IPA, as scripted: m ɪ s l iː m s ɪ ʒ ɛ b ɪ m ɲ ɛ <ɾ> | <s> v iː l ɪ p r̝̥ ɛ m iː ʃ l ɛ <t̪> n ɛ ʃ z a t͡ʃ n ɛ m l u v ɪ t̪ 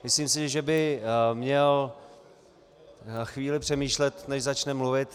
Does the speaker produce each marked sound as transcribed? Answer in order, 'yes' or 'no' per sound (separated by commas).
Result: no, no, yes